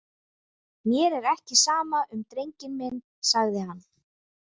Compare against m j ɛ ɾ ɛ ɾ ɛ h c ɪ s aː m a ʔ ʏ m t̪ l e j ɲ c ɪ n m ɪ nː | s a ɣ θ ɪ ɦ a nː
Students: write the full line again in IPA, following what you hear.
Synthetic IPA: m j ɛ ɾ ɛ ɾ ɛ h c ɪ s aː m a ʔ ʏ m t̪ ɾ e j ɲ c ɪ n m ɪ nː | s a ɣ ð ɪ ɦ a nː